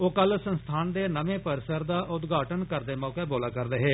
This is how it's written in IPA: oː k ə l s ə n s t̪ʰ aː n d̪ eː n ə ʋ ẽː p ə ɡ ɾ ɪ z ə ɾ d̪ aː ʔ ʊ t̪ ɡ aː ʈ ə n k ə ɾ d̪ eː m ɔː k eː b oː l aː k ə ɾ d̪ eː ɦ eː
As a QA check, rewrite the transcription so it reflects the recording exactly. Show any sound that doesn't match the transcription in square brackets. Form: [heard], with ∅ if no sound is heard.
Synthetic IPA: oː k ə l s ə n s t̪ʰ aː n d̪ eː n ə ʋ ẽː p ə [∅] ɾ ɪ [s] ə ɾ d̪ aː ʔ ʊ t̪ ɡ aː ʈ ə n k ə ɾ d̪ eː m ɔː k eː b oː l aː k ə ɾ d̪ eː ɦ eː